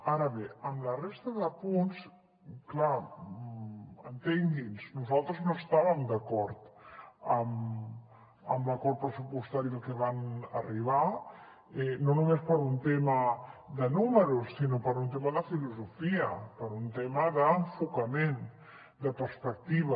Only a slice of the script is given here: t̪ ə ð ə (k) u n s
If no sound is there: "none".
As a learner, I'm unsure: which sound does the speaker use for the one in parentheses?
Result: p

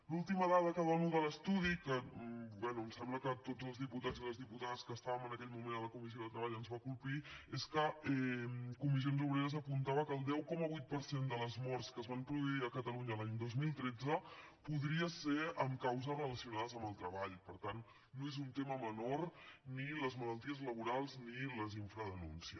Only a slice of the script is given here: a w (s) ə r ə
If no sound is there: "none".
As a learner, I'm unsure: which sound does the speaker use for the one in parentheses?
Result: z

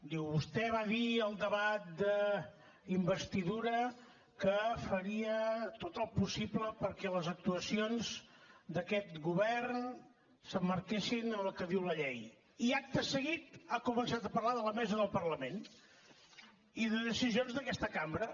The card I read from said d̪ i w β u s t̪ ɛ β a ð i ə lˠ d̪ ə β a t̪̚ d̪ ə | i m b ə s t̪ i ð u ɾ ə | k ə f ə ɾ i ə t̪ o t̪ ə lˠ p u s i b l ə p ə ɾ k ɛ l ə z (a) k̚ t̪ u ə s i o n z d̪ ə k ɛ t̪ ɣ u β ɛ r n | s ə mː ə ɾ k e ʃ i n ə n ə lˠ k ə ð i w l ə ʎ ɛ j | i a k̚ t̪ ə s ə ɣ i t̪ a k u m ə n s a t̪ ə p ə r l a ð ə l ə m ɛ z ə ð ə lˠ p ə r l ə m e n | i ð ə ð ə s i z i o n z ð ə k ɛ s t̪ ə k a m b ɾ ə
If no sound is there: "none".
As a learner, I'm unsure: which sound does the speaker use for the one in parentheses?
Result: ə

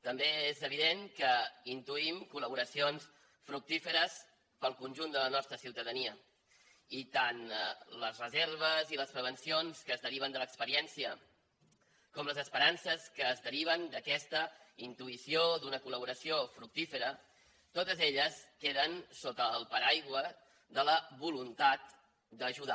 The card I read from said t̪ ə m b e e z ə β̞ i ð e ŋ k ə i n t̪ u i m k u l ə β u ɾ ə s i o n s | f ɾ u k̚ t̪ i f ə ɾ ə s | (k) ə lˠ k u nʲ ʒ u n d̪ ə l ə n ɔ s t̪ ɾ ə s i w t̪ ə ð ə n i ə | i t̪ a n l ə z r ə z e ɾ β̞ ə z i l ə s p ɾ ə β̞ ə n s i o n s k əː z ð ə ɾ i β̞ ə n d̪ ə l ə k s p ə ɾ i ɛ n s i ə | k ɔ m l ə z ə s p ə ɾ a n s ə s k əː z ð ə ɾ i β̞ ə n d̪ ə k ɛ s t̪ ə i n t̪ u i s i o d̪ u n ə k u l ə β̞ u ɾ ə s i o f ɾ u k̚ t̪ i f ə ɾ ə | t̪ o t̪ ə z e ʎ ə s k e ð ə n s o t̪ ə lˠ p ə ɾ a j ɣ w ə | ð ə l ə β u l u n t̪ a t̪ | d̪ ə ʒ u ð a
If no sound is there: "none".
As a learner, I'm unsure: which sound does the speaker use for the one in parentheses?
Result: p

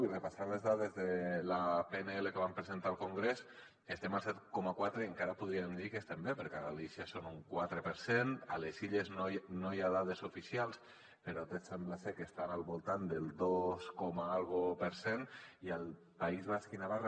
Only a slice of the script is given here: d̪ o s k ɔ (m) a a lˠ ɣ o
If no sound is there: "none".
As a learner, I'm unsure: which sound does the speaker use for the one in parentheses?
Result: m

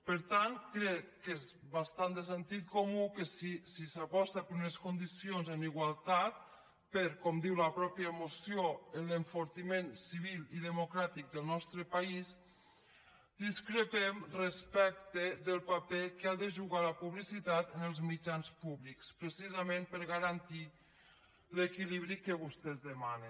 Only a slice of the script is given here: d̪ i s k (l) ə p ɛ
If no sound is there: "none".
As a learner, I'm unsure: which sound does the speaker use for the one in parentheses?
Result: ɾ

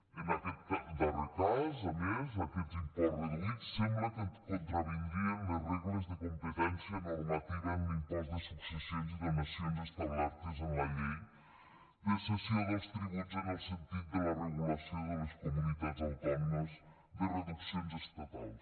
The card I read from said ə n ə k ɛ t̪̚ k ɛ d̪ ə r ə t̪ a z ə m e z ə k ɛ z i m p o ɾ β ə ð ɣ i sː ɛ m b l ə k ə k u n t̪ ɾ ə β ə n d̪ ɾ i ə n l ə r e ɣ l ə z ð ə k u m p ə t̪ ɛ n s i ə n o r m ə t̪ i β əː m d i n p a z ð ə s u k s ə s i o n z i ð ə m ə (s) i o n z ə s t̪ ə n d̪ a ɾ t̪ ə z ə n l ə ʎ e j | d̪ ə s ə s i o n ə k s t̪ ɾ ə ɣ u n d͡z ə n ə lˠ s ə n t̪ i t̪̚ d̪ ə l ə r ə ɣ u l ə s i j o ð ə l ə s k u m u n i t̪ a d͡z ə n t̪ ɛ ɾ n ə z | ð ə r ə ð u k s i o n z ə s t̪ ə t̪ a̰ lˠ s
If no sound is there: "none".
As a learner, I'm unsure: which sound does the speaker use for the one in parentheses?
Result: s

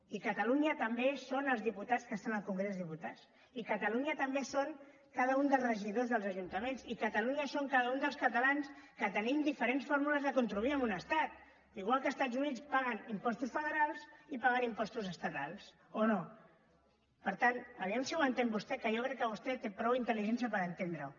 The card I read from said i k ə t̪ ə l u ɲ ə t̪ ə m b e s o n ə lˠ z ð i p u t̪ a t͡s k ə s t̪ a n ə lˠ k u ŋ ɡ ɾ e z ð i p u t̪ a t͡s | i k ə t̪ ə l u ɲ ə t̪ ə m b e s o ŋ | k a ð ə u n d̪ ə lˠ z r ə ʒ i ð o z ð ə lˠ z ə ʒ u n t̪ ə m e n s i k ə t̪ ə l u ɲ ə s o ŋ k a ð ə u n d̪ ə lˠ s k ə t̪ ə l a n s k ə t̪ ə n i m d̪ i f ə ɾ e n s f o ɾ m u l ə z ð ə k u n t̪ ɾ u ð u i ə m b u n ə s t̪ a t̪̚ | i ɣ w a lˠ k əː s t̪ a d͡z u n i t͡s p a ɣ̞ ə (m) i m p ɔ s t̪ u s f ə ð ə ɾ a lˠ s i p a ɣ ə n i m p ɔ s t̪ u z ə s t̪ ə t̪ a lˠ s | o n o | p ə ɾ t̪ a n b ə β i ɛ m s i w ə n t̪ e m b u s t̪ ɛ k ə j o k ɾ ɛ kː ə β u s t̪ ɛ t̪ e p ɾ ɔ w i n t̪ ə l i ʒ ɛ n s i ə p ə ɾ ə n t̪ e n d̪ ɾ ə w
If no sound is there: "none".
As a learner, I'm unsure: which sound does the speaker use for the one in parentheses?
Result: n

